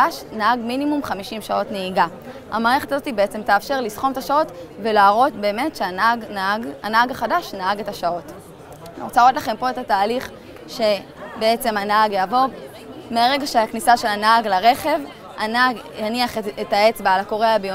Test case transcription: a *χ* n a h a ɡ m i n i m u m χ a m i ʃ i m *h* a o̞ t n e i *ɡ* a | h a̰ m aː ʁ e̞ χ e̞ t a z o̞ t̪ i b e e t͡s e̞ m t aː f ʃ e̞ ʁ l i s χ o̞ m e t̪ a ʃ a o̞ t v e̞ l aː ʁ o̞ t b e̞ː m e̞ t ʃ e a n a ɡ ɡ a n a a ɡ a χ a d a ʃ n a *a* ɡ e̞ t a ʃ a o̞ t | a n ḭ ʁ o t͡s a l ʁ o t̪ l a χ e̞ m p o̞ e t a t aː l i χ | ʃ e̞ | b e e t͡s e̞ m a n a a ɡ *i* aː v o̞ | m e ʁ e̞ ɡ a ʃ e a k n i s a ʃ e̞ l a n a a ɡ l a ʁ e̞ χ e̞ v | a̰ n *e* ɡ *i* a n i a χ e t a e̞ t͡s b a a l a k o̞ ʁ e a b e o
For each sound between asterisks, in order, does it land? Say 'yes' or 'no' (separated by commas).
no, no, yes, yes, no, no, no